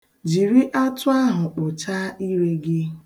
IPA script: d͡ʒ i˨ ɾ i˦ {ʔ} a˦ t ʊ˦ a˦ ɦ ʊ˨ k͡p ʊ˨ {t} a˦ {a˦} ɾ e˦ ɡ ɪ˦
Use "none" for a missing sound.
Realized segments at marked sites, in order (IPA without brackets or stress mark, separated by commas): ʔ, t͡ʃ, i˦